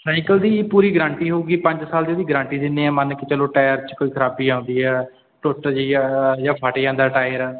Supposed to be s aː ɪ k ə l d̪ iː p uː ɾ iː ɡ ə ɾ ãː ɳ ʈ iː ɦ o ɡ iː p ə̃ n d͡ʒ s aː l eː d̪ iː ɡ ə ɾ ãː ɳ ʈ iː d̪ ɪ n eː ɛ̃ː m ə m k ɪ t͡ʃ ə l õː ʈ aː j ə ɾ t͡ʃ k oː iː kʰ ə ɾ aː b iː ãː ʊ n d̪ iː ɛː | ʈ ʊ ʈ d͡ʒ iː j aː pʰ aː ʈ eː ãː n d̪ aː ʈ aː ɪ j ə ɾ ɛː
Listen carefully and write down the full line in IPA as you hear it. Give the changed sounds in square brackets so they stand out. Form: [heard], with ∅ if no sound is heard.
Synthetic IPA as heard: s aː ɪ k ə l d̪ iː p uː ɾ iː ɡ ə ɾ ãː ɳ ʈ iː ɦ o ɡ iː p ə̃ [ɲ] d͡ʒ s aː l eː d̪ iː ɡ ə ɾ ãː ɳ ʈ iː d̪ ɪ n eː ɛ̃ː m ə [n] k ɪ t͡ʃ ə l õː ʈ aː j ə ɾ t͡ʃ k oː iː kʰ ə ɾ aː b iː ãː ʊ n d̪ iː ɛː | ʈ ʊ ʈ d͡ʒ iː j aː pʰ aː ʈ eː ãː n d̪ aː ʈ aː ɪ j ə ɾ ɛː